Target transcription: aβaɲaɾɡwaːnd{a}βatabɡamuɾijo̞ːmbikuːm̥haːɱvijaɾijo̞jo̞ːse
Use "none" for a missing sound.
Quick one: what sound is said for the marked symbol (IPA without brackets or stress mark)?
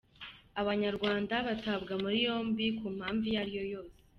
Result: a